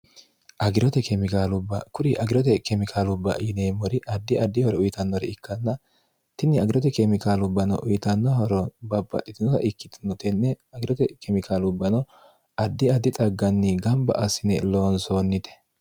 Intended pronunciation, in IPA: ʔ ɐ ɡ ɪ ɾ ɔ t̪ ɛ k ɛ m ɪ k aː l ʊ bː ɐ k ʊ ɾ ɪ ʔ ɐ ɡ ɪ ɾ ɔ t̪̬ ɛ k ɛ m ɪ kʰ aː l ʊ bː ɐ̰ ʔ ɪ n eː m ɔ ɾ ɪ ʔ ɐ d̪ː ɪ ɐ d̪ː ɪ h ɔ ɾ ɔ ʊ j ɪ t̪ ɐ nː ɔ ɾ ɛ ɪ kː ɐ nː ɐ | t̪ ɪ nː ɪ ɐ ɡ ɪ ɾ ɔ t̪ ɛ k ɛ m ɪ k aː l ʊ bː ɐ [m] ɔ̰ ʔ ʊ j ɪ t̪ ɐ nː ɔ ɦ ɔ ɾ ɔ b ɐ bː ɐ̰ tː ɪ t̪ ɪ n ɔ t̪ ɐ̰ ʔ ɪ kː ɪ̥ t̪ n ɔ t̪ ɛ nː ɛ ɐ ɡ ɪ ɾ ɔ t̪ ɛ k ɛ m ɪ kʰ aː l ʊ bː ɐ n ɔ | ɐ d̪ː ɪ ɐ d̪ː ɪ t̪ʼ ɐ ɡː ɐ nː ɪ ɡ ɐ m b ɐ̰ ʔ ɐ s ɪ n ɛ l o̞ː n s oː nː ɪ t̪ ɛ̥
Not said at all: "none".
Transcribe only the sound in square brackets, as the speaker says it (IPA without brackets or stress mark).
n